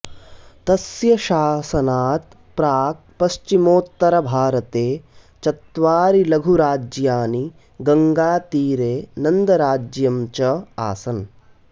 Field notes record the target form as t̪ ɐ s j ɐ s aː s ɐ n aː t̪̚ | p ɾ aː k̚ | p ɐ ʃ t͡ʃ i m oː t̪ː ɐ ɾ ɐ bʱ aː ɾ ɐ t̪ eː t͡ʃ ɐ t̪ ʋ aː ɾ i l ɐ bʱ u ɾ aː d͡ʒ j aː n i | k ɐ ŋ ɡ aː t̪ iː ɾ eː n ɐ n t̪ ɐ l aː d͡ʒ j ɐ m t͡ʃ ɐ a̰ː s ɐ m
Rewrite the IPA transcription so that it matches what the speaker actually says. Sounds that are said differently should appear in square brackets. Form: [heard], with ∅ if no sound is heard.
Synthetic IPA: t̪ ɐ s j ɐ [ʃ] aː s ɐ n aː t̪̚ | p ɾ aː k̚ | p ɐ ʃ t͡ʃ i m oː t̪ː ɐ ɾ ɐ bʱ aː ɾ ɐ t̪ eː t͡ʃ ɐ t̪ ʋ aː ɾ i l ɐ [ɡʱ] u ɾ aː d͡ʒ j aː n i | [ɡ] ɐ ŋ ɡ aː t̪ iː ɾ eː n ɐ n [d̪] ɐ [ɾ] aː d͡ʒ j ɐ m t͡ʃ ɐ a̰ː s ɐ [n]

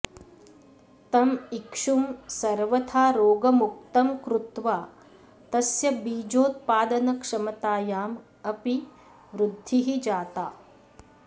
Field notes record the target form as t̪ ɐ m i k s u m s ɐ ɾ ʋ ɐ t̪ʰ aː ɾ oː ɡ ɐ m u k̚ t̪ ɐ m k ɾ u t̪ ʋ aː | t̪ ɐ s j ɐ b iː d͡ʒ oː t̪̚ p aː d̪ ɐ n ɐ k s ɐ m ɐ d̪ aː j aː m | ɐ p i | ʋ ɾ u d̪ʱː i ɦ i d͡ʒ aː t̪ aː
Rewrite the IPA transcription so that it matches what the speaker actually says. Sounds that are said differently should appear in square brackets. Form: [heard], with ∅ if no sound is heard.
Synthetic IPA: t̪ ɐ m i k [ʂ] u m s ɐ ɾ ʋ ɐ t̪ʰ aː ɾ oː ɡ ɐ m u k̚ t̪ ɐ m k ɾ u t̪ ʋ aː | t̪ ɐ s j ɐ b iː d͡ʒ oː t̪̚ p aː d̪ ɐ n ɐ k [ʂ] ɐ m ɐ [t̪] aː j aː m | ɐ p i | ʋ ɾ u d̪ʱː i ɦ i d͡ʒ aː t̪ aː

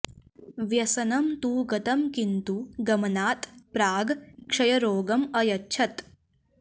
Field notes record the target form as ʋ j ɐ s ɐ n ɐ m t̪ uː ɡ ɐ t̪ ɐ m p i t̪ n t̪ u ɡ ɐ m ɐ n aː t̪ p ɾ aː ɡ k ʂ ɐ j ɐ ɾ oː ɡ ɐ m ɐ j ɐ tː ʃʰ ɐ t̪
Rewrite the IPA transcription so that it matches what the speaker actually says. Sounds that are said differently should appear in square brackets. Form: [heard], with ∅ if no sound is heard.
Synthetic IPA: ʋ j ɐ s ɐ n ɐ m t̪ uː ɡ ɐ t̪ ɐ m [k] i [∅] n t̪ u ɡ ɐ m ɐ n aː t̪ p ɾ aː ɡ k ʂ ɐ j ɐ ɾ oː ɡ ɐ m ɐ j ɐ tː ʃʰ ɐ t̪

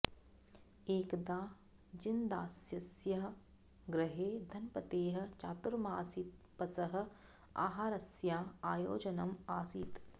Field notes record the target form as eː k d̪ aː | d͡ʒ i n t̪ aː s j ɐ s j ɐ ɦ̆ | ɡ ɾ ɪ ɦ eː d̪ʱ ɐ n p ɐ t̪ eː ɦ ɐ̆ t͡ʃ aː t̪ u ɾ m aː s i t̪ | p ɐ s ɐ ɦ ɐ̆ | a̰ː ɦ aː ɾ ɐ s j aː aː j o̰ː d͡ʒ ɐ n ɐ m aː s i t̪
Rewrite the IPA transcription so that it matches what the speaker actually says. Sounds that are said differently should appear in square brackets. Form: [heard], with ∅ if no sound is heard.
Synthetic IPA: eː k d̪ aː | d͡ʒ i n [d̪] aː s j ɐ s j ɐ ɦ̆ | ɡ ɾ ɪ ɦ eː d̪ʱ ɐ n p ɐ t̪ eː ɦ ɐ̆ t͡ʃ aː t̪ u ɾ m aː s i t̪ | p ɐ s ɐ ɦ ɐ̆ | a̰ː ɦ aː ɾ ɐ s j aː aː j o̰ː d͡ʒ ɐ n ɐ m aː s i t̪

